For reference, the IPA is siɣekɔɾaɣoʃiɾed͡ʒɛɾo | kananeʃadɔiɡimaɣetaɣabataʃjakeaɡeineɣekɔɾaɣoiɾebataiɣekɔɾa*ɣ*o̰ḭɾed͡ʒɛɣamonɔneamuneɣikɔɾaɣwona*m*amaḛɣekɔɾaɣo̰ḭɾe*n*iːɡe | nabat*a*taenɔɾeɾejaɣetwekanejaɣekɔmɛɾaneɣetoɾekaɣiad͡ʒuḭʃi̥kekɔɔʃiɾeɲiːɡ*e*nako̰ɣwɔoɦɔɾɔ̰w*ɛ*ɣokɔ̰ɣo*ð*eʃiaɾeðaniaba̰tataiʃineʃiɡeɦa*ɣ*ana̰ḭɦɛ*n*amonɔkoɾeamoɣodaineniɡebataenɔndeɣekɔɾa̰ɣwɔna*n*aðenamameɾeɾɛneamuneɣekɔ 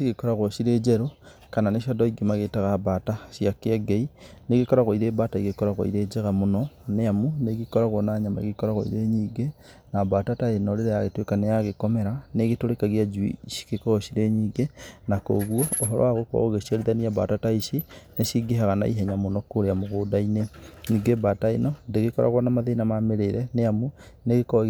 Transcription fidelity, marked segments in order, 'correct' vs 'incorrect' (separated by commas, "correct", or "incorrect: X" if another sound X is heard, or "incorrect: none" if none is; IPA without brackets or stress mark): correct, incorrect: ɲ, incorrect: ɲ, correct, correct, incorrect: a, incorrect: ɣ, correct, incorrect: ɲ, incorrect: m